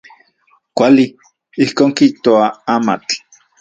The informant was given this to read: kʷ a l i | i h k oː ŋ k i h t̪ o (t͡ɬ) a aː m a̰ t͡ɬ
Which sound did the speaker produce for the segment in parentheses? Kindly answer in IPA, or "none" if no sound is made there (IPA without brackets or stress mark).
none